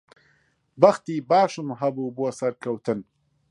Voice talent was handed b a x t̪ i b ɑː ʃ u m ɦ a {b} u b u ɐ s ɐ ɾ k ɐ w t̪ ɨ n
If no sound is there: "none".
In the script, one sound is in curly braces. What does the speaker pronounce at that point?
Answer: b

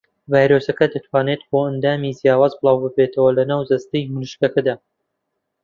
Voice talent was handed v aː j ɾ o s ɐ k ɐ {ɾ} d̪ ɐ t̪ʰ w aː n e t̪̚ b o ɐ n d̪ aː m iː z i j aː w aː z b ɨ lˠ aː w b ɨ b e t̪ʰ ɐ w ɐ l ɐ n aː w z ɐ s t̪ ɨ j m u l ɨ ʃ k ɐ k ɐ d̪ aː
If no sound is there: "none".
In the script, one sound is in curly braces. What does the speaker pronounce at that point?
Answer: none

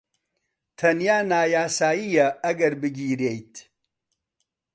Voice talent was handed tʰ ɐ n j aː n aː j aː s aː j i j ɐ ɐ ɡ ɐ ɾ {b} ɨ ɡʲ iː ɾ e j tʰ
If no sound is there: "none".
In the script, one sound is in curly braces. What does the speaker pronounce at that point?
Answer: b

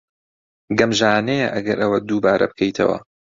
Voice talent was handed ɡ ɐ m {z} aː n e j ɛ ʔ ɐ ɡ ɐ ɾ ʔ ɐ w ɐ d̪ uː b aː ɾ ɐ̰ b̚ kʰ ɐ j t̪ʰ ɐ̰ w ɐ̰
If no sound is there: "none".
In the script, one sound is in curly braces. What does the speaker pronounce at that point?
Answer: ʒ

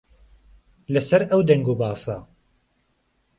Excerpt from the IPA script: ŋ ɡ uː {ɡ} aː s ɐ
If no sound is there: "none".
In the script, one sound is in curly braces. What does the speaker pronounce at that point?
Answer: b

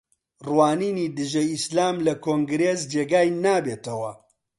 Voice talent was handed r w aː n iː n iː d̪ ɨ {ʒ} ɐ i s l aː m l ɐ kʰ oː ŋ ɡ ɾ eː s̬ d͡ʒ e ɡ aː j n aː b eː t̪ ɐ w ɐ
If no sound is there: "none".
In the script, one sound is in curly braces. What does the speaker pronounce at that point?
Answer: ʒ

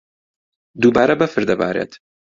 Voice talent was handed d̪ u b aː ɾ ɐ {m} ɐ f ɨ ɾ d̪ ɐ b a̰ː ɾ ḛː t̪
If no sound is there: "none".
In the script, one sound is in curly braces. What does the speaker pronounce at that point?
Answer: b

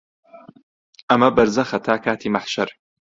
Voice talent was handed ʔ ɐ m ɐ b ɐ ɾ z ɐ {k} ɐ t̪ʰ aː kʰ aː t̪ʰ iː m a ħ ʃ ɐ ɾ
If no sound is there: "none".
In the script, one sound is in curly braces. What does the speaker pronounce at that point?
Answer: x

